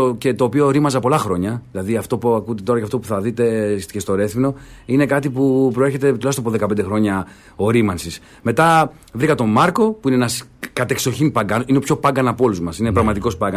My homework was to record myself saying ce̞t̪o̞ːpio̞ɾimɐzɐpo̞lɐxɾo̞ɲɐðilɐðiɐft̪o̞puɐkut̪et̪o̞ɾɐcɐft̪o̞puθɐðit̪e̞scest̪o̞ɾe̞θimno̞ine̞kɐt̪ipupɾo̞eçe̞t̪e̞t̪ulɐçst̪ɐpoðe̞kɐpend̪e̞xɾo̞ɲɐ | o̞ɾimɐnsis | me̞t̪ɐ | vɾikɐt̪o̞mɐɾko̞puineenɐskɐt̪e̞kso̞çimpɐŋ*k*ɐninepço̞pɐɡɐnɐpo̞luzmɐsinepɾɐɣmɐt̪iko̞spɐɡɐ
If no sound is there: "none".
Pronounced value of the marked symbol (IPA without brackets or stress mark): ɡ